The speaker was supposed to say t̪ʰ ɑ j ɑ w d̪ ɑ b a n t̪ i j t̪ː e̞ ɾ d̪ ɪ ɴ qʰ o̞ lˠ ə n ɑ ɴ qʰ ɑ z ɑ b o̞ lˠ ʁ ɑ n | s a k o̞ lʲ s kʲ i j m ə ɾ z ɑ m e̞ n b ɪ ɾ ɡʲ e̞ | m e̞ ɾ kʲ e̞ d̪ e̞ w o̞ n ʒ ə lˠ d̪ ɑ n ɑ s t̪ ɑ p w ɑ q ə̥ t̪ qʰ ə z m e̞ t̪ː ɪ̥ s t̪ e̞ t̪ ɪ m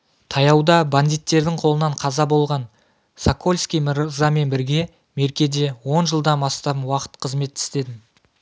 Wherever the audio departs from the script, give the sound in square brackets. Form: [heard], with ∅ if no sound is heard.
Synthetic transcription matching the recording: t̪ʰ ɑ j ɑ w d̪ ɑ b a n [d̪] i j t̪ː e̞ ɾ d̪ ɪ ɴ qʰ o̞ lˠ ə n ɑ ɴ qʰ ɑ z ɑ b o̞ lˠ ʁ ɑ n | s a k o̞ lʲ s kʲ i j m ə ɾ z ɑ m e̞ n b ɪ ɾ ɡʲ e̞ | m e̞ ɾ kʲ e̞ d̪ e̞ w o̞ n ʒ ə lˠ d̪ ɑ n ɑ s t̪ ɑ p w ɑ q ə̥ t̪ qʰ ə z m e̞ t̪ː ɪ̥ s t̪ e̞ [d̪] ɪ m